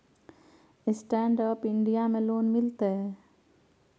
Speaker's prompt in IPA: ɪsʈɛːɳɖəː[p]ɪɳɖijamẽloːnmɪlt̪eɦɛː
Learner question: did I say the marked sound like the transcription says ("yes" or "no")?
yes